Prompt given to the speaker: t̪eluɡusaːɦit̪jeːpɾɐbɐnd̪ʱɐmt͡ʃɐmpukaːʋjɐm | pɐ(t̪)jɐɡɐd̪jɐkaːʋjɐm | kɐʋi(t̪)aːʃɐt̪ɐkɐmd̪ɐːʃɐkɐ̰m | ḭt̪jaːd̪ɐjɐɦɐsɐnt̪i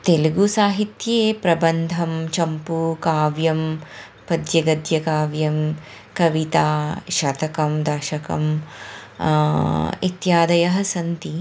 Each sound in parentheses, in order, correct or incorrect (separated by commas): incorrect, correct